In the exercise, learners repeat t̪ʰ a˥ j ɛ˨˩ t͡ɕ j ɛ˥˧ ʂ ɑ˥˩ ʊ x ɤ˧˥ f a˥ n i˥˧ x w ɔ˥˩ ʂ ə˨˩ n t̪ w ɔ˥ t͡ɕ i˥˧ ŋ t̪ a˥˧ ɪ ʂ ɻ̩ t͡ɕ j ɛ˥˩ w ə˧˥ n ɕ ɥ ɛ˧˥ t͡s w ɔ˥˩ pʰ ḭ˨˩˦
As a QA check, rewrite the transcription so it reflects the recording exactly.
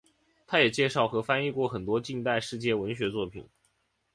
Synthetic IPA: t̪ʰ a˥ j ɛ˨˩ t͡ɕ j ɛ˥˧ ʂ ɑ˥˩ ʊ x ɤ˧˥ f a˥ n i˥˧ k w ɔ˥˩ x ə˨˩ n t̪ w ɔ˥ t͡ɕ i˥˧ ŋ t̪ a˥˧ ɪ ʂ ɻ̩ t͡ɕ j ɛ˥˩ w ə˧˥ n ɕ ɥ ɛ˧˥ t͡s w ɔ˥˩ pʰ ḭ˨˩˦